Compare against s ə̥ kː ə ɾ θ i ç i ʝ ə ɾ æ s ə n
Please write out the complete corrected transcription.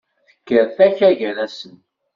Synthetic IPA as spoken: θ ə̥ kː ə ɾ θ æ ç æ ʝ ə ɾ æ s ə n